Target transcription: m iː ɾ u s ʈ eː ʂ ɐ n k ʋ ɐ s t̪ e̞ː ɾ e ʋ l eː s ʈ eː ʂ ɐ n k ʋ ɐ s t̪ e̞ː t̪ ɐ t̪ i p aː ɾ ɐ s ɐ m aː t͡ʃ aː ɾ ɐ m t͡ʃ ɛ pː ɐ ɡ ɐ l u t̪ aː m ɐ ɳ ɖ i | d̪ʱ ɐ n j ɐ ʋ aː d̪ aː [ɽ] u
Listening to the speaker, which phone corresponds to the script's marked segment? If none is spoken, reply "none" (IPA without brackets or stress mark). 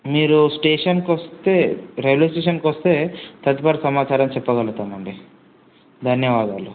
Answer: l